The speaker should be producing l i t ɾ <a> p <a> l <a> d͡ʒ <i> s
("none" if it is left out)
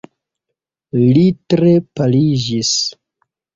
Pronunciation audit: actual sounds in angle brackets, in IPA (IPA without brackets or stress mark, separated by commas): e, a, i, i